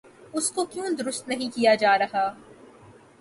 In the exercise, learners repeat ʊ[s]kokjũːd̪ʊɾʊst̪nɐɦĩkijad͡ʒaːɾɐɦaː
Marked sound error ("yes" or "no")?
no